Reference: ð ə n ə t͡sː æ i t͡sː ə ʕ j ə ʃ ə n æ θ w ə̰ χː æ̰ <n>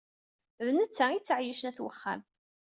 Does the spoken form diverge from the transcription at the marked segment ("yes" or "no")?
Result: yes